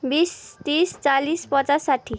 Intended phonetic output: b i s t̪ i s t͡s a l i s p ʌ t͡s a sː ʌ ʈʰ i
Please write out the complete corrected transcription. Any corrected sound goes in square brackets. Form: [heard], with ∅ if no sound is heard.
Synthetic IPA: b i s t̪ i s t͡s a l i s p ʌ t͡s a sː [a] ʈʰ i